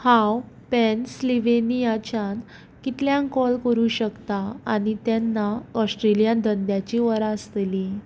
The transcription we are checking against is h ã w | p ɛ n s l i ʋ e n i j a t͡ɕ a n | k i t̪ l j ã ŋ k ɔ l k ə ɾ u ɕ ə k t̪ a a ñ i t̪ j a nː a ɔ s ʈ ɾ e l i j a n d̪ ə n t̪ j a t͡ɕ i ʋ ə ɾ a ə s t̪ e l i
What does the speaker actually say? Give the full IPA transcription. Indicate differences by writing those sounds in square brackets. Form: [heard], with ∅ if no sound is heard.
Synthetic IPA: h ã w | p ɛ n s l i ʋ e n i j a t͡ɕ a n | k i t̪ l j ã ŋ k ɔ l k ə ɾ u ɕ ə k t̪ a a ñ i t̪ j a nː a ɔ s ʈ ɾ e l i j a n d̪ ə n [d̪] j a t͡ɕ i ʋ ə ɾ a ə s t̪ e l i